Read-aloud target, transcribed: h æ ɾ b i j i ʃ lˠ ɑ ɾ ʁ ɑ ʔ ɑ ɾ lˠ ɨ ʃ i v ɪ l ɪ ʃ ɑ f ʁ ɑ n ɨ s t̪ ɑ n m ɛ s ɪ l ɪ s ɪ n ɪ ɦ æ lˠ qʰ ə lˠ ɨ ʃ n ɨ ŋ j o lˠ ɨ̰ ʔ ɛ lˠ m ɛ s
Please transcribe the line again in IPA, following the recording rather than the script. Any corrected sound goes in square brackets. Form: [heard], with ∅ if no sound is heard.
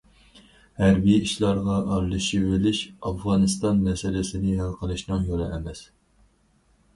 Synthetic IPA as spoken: h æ ɾ b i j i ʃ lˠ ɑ ɾ ʁ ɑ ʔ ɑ ɾ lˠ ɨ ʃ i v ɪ l ɪ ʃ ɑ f ʁ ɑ n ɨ s t̪ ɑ n m ɛ s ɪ l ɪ s ɪ n ɪ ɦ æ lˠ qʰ ə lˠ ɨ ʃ n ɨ ŋ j o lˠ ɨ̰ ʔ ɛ [∅] m ɛ s